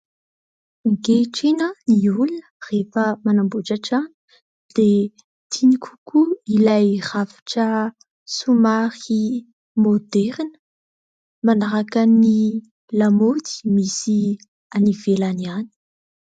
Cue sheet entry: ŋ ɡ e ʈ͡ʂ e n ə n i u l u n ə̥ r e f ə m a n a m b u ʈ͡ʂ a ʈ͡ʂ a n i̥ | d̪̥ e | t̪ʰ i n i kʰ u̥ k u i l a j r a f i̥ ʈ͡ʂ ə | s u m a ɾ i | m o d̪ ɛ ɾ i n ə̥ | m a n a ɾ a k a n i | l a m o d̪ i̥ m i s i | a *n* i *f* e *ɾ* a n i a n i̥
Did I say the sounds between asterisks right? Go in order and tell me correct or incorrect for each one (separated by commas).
correct, incorrect, incorrect